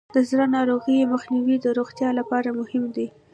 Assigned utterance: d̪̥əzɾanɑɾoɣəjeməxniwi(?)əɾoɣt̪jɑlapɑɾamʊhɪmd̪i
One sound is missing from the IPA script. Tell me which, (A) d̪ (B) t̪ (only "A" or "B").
A